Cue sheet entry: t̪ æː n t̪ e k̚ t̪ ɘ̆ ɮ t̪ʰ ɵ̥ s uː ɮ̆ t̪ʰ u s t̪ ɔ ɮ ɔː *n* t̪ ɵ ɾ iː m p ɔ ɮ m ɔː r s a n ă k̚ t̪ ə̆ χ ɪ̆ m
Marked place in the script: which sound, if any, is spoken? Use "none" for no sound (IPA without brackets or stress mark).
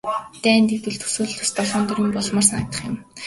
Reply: n